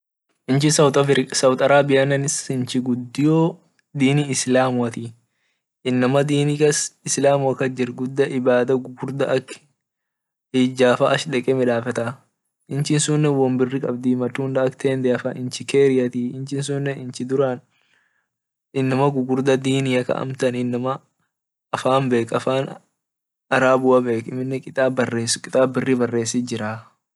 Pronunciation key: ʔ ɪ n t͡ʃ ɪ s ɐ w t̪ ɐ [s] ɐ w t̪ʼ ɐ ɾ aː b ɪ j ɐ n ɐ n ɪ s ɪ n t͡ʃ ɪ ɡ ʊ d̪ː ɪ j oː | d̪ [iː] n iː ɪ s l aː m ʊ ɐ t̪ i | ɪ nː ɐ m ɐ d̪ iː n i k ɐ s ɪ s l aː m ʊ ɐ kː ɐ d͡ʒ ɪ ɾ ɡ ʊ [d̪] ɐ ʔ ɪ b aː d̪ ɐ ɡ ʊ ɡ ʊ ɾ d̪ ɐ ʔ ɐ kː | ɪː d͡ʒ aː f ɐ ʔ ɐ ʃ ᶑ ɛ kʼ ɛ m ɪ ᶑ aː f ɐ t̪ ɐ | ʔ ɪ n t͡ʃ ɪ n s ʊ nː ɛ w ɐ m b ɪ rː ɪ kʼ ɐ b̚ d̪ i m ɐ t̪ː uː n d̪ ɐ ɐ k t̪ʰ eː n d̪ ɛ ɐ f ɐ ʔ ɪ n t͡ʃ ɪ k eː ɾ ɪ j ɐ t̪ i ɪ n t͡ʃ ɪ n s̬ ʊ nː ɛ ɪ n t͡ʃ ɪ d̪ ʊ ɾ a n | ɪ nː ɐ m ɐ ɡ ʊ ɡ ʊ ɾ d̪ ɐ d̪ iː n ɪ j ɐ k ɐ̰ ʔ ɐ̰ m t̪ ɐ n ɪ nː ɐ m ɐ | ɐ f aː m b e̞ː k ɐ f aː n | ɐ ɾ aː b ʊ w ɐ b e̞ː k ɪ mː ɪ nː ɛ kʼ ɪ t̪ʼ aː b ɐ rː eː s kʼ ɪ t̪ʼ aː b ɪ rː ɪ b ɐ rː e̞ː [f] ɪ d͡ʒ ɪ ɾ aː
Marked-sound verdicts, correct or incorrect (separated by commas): correct, correct, incorrect, incorrect